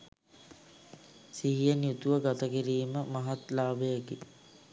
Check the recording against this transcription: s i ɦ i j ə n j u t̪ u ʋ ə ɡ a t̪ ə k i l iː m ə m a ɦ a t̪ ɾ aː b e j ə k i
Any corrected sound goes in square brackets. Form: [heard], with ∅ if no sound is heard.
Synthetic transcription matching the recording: s i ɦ i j ə n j u t̪ u ʋ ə ɡ a t̪ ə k i [ɾ] iː m ə m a ɦ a t̪ [l] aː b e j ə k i